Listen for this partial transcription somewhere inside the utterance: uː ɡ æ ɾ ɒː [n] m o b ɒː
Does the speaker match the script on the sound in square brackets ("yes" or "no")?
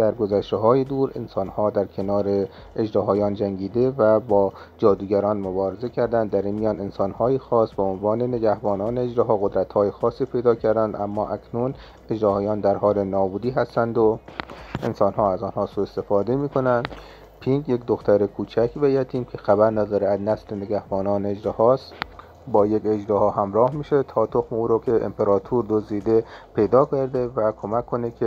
yes